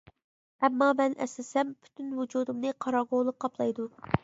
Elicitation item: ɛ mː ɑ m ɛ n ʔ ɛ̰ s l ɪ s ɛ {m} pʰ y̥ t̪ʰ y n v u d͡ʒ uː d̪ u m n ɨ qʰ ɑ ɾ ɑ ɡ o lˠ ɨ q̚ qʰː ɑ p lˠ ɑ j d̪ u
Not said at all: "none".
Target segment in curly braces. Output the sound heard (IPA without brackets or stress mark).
m